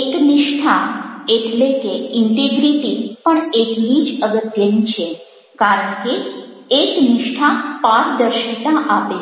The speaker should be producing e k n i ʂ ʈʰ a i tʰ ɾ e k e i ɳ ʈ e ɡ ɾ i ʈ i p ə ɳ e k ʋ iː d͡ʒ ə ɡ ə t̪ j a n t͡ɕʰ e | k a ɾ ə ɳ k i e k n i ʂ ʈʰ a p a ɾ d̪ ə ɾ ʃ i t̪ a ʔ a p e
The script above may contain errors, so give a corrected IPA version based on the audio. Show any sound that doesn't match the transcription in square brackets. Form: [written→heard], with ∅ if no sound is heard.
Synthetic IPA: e k n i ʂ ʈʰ a [i→e] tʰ [ɾ→l] e k e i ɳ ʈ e ɡ ɾ i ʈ i p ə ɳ e k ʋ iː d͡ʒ ə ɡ ə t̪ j [a→ə] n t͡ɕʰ e | k a ɾ ə ɳ k i e k n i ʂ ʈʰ a p a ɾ d̪ ə ɾ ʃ i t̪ a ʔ a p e